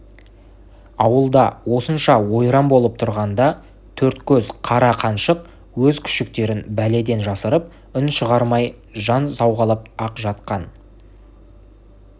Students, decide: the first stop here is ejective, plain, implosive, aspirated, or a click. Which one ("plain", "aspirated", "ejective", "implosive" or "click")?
plain